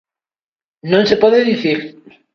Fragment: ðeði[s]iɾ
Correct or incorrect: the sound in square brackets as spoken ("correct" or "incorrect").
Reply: incorrect